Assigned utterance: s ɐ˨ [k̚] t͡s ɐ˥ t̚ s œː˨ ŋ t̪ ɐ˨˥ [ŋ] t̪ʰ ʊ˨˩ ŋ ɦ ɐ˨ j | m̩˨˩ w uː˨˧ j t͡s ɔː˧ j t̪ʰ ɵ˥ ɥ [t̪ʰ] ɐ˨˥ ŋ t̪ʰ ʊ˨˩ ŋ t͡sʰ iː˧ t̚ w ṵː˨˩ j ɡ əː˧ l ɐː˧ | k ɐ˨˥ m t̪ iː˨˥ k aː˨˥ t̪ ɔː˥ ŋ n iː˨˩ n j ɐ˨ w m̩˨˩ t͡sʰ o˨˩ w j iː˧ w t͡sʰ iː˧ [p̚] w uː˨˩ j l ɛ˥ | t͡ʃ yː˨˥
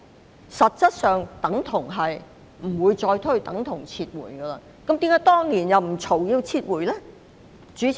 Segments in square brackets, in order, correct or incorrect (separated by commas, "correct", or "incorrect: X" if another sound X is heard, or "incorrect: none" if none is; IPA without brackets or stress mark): incorrect: t̚, correct, incorrect: t̪, incorrect: t̚